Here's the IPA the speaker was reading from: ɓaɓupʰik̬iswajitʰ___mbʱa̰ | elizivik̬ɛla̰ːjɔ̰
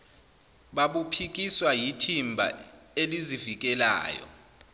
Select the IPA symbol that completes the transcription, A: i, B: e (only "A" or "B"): A